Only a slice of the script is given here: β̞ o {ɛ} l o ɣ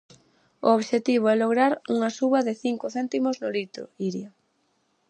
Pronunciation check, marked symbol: correct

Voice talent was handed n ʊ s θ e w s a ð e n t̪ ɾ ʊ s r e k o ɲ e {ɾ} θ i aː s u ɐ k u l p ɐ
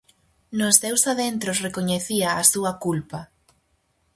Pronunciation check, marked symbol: incorrect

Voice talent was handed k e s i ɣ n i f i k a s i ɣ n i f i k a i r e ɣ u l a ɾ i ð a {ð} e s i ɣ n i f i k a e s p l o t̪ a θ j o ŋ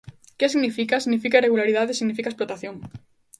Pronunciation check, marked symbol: correct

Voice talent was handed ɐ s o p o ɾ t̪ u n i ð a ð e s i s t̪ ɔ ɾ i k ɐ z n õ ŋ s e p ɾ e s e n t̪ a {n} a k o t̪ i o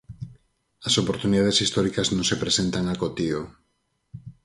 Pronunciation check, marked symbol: incorrect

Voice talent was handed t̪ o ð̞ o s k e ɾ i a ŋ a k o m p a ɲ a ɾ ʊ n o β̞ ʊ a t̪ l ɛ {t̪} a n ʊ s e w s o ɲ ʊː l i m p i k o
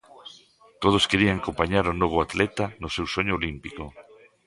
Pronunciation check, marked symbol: correct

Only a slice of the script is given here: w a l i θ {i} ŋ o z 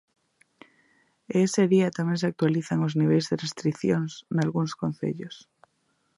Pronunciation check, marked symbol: incorrect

